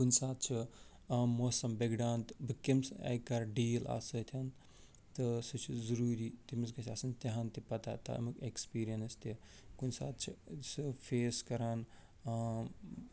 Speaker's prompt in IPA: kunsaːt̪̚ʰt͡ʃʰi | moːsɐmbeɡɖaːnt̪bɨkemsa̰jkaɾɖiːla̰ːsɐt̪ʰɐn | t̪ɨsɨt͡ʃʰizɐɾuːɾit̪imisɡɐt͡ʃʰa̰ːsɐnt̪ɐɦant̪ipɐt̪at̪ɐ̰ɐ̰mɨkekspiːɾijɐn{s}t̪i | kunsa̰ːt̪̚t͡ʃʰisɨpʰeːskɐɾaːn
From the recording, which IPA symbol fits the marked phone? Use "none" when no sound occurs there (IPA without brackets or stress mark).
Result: s